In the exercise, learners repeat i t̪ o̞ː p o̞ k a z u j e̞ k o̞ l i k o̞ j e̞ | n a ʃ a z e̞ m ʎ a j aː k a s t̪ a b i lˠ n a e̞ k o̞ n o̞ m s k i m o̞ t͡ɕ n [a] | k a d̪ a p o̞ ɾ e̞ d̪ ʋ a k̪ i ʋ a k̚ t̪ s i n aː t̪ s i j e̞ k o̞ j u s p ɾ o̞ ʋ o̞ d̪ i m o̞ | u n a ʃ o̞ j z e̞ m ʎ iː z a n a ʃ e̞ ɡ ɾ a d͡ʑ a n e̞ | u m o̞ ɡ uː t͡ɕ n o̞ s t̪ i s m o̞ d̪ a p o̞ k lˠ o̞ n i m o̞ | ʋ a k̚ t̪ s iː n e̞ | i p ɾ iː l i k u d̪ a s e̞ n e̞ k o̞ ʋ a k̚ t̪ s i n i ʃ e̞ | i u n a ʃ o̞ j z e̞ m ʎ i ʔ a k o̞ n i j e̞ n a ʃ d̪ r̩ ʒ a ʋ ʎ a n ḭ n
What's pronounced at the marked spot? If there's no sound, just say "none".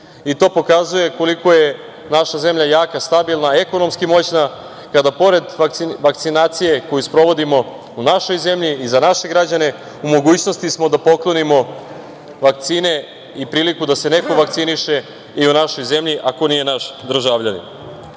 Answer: a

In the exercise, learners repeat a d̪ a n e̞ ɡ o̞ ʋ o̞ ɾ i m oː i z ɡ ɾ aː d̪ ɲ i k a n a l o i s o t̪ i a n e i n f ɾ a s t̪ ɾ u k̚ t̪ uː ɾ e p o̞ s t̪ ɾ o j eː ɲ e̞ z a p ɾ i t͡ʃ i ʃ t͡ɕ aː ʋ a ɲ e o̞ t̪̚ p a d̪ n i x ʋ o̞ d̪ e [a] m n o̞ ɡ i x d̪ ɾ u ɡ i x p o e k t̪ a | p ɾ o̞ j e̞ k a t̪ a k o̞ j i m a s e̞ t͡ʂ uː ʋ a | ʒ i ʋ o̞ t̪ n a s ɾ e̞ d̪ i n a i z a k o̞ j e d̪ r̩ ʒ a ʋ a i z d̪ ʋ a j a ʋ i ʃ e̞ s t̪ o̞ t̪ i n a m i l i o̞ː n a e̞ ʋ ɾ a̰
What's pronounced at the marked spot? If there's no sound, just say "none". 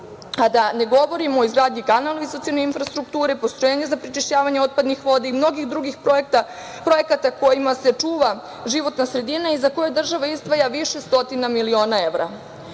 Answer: i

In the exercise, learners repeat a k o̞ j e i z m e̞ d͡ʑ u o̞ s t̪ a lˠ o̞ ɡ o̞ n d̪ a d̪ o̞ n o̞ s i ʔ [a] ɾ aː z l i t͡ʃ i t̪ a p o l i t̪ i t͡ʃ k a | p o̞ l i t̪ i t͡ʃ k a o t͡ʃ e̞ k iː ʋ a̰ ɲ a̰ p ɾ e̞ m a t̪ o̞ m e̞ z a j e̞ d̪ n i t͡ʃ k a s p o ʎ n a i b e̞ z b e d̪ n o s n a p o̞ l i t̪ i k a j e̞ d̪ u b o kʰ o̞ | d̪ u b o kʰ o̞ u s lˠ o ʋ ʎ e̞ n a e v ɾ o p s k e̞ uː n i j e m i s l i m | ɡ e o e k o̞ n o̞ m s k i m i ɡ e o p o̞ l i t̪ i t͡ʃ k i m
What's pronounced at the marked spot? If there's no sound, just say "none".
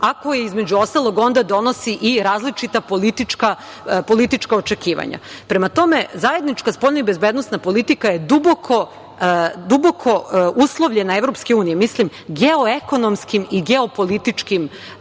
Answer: i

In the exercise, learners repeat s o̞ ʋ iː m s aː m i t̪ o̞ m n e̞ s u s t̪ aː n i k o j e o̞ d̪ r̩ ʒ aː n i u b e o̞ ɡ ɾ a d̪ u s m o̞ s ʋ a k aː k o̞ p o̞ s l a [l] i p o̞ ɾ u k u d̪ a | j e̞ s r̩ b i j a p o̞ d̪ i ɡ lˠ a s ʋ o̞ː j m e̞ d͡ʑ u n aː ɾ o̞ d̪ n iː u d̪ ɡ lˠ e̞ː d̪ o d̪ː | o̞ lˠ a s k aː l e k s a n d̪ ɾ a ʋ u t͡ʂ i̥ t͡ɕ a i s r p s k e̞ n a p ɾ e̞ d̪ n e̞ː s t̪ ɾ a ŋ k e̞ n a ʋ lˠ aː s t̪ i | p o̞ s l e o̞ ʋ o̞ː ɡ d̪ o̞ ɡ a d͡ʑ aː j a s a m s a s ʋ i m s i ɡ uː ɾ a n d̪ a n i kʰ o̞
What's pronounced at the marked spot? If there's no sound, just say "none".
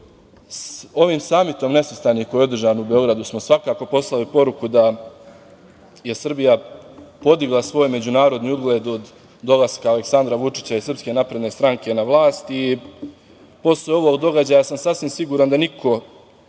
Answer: l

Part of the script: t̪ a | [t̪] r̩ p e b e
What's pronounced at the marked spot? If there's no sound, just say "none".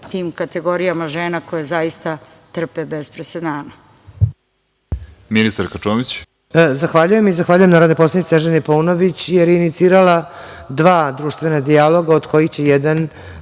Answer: t̪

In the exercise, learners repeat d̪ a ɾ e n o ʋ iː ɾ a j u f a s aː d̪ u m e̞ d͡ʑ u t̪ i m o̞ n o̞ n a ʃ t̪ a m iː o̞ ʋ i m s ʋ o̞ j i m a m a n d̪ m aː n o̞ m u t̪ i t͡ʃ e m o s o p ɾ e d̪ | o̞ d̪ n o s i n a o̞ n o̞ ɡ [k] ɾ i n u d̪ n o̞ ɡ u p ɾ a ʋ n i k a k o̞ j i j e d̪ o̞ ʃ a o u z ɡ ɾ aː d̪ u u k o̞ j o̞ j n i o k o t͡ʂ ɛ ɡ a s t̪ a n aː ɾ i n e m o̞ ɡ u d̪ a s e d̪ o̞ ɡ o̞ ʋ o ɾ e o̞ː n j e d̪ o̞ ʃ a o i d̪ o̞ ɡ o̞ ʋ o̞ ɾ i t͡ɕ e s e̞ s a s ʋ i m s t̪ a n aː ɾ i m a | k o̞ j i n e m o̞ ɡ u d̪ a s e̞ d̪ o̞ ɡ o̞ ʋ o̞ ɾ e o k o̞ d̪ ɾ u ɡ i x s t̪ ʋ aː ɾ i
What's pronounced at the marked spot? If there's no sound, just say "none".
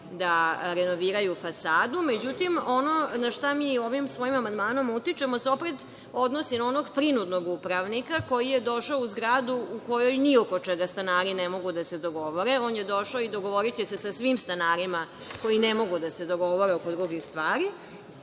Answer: p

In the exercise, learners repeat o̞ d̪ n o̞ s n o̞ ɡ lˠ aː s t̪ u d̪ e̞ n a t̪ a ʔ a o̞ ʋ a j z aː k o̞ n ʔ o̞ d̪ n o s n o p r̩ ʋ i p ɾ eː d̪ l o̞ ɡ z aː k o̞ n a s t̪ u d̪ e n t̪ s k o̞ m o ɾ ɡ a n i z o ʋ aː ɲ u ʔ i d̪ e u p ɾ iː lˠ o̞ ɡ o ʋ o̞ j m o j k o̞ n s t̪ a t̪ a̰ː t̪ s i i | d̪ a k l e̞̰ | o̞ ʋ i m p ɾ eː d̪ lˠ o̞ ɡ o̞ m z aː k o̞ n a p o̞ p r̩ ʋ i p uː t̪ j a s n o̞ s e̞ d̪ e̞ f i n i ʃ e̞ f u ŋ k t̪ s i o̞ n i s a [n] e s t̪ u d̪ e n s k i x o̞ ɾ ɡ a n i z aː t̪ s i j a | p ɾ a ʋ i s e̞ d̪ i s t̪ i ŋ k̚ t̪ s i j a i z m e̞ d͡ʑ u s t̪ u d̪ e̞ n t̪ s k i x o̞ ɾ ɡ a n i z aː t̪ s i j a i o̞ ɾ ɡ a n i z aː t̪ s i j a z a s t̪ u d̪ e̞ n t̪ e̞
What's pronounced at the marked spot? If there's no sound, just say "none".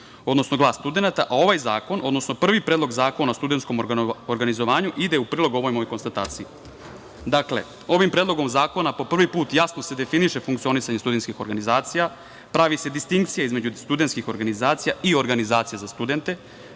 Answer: ɲ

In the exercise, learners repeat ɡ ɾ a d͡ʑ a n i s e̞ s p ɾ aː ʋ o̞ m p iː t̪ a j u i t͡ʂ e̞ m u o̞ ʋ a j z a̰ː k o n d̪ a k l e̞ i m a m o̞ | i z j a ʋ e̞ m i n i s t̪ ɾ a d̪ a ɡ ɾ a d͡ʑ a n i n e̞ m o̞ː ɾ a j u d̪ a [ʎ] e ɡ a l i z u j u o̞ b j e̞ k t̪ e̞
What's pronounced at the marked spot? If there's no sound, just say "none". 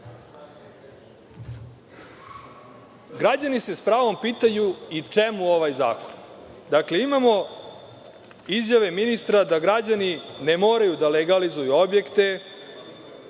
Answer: l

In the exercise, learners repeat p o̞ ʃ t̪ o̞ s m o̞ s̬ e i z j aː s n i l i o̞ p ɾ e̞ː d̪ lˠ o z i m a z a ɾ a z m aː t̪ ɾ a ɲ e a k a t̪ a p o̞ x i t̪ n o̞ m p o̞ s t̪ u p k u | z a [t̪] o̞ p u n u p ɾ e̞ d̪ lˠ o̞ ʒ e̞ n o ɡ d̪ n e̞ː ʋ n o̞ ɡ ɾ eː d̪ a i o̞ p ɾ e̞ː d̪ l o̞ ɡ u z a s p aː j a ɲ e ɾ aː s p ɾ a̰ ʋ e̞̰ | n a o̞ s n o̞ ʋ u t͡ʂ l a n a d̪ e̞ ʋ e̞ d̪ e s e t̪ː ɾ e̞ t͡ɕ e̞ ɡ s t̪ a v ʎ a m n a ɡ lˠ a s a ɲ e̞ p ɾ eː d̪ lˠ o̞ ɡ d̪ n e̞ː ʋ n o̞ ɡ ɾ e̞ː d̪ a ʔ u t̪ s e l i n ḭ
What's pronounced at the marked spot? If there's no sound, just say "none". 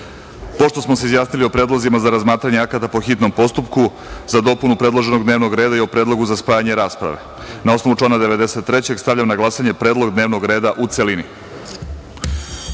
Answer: d̪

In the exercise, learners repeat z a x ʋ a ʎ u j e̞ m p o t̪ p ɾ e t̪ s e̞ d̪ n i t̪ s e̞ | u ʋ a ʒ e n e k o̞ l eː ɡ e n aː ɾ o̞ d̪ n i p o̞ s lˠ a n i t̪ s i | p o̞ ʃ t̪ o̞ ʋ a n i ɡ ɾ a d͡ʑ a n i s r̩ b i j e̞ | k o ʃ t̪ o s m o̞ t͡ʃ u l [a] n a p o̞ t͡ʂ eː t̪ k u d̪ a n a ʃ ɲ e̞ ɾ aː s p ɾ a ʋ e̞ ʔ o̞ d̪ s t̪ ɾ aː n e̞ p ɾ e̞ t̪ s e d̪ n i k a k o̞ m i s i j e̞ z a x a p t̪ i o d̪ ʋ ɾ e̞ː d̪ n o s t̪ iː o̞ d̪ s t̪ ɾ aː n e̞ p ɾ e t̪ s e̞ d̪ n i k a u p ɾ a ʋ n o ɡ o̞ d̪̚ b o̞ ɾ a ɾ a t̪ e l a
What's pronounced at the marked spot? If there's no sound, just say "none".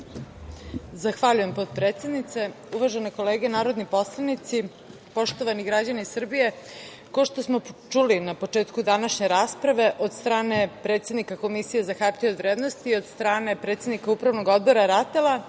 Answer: i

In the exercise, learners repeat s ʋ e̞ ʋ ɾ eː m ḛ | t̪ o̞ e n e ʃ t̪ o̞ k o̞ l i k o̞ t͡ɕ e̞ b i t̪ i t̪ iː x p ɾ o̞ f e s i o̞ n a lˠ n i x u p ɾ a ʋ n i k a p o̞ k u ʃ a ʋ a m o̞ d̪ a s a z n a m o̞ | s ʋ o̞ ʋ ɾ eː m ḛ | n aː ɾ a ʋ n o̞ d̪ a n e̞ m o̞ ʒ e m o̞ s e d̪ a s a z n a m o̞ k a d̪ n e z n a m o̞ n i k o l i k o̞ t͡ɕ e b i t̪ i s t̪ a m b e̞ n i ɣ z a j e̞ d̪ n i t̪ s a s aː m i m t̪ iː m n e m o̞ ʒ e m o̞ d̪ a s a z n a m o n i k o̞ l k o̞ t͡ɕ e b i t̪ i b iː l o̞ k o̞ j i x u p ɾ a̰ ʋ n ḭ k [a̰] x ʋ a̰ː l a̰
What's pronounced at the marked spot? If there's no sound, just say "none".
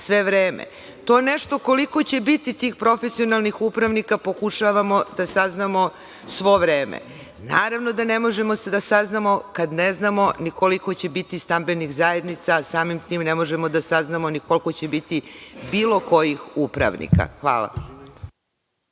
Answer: a̰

